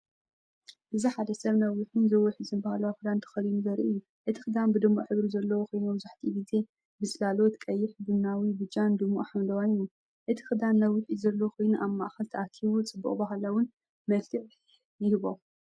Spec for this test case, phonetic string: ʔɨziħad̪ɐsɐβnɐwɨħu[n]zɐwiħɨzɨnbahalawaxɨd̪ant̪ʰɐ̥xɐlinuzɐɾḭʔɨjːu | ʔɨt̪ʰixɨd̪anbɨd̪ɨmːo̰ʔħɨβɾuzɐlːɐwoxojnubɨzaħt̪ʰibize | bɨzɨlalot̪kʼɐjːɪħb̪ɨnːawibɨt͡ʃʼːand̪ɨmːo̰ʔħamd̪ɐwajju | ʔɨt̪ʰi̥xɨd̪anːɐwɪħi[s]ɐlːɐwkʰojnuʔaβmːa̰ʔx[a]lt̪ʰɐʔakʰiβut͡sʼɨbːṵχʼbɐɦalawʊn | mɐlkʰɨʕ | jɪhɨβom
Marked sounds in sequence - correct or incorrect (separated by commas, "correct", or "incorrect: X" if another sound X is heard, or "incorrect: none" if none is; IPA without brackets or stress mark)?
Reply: correct, incorrect: z, incorrect: ɐ